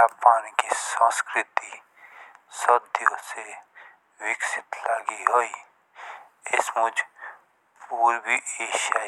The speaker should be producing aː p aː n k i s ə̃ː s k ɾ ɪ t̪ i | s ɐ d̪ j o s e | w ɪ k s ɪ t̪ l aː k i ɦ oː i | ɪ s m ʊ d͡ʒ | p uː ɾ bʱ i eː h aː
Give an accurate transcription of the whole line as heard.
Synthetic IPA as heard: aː p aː n k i s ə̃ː s k ɾ ɪ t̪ i | s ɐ d̪ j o s e | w ɪ k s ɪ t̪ l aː ɡ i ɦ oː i | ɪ s m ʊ d͡ʒ | p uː ɾ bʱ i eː ʃ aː